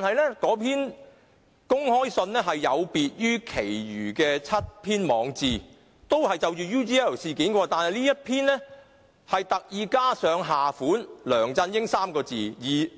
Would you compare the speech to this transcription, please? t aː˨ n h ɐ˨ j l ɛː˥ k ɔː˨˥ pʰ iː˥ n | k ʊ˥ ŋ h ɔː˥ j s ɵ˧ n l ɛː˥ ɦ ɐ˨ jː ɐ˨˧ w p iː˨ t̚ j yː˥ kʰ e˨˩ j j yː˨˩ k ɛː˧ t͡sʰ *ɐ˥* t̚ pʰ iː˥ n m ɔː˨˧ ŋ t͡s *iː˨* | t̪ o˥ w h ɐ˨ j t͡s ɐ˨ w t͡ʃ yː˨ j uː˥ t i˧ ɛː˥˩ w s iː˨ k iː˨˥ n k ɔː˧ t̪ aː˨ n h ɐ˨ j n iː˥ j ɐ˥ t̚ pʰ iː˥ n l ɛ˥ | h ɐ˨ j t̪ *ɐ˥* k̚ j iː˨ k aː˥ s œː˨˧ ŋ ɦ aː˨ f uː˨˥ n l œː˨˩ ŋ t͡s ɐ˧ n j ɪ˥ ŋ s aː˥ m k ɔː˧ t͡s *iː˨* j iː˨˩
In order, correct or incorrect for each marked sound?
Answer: correct, correct, incorrect: ɐ˨, correct

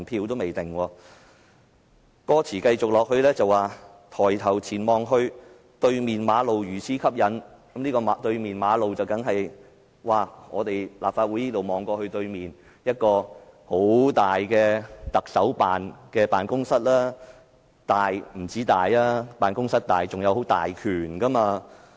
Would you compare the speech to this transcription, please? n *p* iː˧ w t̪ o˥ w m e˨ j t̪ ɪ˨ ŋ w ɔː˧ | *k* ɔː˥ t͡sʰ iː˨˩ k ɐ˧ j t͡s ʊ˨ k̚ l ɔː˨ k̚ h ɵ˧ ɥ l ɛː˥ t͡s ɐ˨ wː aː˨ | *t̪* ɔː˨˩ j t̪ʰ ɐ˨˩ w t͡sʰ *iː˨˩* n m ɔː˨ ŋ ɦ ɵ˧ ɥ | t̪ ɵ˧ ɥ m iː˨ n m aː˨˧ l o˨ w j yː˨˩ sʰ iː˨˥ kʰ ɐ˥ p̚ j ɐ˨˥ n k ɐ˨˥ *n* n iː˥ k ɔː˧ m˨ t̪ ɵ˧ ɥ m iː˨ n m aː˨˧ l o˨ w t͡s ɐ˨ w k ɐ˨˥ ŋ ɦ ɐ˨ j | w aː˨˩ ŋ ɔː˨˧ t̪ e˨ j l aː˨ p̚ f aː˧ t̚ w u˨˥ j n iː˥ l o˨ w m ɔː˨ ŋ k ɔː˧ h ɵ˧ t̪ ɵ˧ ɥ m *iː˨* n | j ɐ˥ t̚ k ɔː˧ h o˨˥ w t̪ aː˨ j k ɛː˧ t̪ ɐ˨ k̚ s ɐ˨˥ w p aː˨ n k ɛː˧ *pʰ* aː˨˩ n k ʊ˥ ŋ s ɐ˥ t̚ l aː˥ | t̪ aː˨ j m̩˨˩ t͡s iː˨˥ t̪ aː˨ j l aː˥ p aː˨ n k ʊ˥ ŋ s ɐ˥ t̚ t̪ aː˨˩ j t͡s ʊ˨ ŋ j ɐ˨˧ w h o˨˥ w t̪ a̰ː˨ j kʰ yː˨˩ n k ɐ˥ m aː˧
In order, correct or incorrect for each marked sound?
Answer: incorrect: pʰ, correct, incorrect: t̪ʰ, correct, incorrect: m, correct, incorrect: p

